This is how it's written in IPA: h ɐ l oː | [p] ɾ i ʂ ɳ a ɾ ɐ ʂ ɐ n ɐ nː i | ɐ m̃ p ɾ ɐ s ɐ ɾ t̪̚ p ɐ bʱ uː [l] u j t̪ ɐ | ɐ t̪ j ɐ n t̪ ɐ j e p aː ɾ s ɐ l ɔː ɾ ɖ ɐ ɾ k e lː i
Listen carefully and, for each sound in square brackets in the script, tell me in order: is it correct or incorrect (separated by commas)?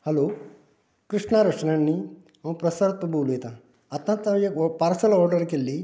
incorrect, correct